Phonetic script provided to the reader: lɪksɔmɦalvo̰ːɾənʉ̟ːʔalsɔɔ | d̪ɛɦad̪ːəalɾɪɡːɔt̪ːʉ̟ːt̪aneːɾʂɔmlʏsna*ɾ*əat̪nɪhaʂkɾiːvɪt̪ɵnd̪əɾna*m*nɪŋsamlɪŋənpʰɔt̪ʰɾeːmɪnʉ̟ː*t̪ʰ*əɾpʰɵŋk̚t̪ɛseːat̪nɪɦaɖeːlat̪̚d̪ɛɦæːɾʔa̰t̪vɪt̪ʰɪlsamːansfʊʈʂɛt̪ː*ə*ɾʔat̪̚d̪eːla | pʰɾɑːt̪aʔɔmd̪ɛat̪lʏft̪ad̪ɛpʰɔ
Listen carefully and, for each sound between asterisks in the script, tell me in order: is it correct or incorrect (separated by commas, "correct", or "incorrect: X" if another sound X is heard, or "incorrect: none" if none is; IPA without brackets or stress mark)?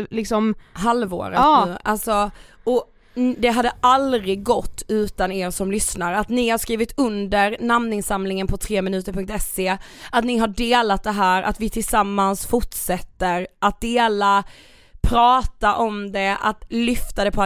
correct, correct, incorrect: t̪, correct